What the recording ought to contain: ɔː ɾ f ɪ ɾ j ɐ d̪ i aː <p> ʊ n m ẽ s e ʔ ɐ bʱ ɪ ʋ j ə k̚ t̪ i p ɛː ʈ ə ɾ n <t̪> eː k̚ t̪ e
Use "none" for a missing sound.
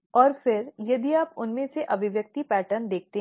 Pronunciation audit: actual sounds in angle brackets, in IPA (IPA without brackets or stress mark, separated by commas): p, d̪